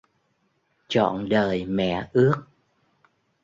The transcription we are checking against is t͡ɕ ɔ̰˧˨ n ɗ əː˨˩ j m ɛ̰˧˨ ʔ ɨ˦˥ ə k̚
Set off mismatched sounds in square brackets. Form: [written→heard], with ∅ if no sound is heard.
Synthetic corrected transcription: t͡ɕ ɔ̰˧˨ n ɗ əː˨˩ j m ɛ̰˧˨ ʔ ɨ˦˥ ə k̚